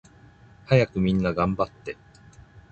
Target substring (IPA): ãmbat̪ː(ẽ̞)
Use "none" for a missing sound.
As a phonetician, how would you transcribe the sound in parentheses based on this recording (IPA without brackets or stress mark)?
e̞